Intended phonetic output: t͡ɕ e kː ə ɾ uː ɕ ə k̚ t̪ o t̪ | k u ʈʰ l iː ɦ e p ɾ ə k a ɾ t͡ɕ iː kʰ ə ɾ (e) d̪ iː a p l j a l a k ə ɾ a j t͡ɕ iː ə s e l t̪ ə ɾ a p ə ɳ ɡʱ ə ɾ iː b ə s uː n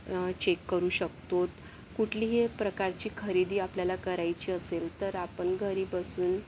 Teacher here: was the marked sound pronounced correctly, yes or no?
no